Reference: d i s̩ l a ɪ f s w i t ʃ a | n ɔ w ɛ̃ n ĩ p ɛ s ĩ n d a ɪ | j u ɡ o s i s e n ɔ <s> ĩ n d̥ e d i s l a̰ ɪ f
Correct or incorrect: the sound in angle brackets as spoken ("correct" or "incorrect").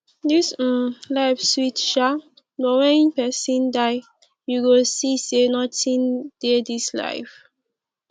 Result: incorrect